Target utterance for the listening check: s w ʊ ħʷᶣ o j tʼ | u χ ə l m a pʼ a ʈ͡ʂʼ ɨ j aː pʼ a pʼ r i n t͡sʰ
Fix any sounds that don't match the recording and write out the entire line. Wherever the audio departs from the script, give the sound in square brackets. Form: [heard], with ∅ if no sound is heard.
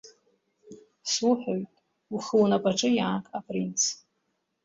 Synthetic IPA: s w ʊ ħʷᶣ o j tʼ | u χ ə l [n] a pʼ a ʈ͡ʂʼ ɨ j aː [kʼ] a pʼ r i n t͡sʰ